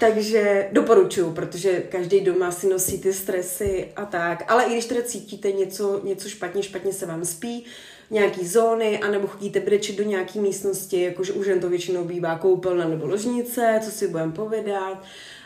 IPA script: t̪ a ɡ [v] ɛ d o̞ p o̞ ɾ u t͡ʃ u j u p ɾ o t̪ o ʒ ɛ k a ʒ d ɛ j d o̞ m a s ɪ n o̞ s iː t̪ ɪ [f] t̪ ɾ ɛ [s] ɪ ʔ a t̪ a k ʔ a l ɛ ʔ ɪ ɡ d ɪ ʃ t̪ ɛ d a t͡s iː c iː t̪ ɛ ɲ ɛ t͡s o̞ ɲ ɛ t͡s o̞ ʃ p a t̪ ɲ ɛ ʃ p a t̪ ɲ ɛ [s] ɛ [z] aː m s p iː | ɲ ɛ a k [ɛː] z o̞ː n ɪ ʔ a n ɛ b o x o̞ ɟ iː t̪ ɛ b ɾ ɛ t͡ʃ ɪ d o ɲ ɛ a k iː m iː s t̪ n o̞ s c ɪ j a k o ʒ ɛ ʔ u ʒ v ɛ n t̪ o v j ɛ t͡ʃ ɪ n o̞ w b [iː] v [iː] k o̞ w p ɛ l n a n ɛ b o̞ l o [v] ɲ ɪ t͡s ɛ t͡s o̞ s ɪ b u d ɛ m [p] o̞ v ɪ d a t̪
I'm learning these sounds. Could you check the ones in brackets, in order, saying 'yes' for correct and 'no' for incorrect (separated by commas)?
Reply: no, no, yes, yes, no, no, yes, no, no, yes